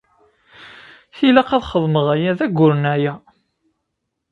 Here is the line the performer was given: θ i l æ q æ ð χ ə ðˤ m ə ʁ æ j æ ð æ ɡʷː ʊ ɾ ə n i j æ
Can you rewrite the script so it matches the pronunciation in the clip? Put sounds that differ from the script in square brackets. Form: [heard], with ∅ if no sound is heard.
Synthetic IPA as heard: θ i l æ q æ ð χ ə ðˤ m ə ʁ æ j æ ð æ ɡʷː ʊ ɾ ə n [æ] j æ